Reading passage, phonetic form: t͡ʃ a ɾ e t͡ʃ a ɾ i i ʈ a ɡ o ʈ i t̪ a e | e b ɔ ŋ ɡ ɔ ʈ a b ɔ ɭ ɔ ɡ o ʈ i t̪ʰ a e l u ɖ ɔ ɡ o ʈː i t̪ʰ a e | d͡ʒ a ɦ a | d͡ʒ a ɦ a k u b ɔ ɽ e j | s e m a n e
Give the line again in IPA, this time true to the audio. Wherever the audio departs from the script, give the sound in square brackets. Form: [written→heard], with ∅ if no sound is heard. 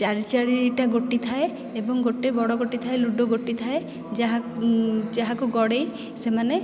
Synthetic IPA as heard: t͡ʃ a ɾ [e→i] t͡ʃ a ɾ i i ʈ a ɡ o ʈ i [t̪→t̪ʰ] a e | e b ɔ ŋ ɡ [ɔ→o] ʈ [a→e] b ɔ [ɭ→ɽ] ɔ ɡ o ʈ i t̪ʰ a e l u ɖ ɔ ɡ o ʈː i t̪ʰ a e | d͡ʒ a ɦ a | d͡ʒ a ɦ a k u [b→ɡ] ɔ ɽ e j | s e m a n e